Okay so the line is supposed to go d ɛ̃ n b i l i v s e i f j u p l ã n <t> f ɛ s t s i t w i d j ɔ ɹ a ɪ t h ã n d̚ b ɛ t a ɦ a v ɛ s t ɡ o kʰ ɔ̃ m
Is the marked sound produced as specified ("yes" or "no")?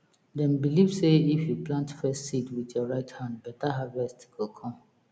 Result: yes